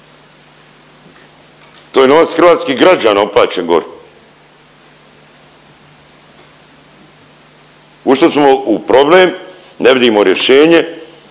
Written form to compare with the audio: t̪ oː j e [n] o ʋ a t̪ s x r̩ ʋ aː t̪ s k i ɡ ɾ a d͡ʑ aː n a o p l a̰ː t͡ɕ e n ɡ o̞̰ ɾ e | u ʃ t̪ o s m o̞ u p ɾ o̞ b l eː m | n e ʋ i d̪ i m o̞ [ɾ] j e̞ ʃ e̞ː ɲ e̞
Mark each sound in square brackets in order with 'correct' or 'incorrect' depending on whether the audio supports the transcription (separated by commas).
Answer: correct, correct